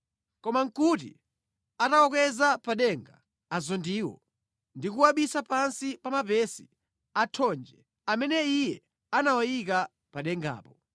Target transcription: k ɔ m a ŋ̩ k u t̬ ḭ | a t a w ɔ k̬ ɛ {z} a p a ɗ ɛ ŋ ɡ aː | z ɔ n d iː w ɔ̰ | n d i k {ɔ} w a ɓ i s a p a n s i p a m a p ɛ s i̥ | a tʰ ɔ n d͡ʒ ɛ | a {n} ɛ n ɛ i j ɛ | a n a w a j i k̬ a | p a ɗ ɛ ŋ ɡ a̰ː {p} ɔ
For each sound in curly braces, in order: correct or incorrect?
correct, incorrect: u, incorrect: m, correct

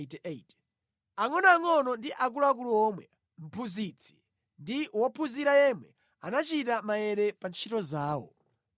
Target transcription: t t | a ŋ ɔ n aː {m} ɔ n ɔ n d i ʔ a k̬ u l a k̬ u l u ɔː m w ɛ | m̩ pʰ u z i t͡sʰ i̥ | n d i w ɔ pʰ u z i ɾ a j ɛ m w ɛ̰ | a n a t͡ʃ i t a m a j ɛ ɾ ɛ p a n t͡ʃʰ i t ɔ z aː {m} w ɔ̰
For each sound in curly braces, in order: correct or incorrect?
incorrect: ŋ, incorrect: none

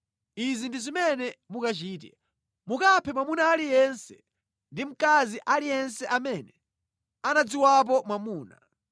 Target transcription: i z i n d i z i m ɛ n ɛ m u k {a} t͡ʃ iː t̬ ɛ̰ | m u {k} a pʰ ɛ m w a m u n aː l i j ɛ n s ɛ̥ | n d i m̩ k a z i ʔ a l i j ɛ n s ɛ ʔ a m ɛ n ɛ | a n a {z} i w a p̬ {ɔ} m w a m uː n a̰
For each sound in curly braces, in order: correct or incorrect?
correct, correct, incorrect: d͡z, correct

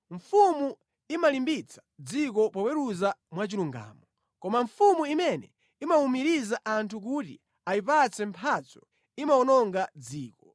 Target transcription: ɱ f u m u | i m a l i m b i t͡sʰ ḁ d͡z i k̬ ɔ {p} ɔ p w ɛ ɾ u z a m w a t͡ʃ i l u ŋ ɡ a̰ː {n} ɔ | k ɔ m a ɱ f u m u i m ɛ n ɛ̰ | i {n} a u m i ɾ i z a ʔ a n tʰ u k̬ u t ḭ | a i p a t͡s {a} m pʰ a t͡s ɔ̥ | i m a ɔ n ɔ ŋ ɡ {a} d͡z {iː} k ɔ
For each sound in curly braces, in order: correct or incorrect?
correct, incorrect: m, incorrect: m, incorrect: ɛ, correct, correct

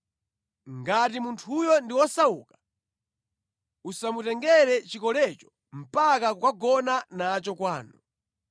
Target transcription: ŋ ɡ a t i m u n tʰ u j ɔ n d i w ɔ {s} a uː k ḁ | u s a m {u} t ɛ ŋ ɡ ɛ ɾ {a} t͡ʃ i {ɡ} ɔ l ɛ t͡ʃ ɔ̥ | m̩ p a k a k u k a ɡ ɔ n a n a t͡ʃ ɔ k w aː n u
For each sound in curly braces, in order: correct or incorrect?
correct, correct, incorrect: ɛ, incorrect: k

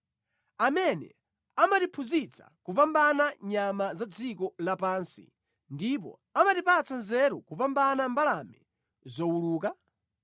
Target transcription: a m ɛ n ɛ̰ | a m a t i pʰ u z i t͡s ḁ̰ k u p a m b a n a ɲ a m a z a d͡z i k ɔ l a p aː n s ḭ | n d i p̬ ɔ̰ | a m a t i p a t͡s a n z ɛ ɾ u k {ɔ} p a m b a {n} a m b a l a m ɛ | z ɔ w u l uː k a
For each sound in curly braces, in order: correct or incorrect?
incorrect: u, correct

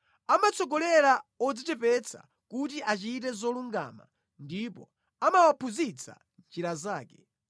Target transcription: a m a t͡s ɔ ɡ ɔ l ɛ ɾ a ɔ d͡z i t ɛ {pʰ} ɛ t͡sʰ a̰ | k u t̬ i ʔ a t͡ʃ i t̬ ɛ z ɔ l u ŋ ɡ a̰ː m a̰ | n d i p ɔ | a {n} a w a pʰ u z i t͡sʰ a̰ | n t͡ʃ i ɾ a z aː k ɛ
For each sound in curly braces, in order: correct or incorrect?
incorrect: p, incorrect: m

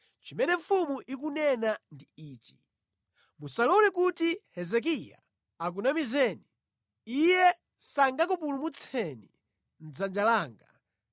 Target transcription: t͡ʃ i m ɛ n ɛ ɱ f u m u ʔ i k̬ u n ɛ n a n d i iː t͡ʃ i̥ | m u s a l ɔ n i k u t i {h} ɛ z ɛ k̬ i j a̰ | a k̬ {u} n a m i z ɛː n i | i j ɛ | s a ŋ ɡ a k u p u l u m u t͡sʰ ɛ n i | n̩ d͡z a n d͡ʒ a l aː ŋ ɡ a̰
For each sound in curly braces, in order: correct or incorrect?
correct, correct

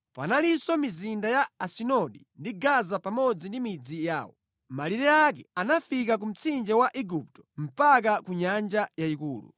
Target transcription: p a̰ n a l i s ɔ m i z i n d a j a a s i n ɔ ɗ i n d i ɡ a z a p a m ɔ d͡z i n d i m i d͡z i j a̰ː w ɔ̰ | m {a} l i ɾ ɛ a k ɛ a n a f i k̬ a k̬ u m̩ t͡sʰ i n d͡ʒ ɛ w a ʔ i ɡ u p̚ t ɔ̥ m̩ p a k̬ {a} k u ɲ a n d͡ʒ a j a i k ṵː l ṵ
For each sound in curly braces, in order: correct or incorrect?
correct, correct

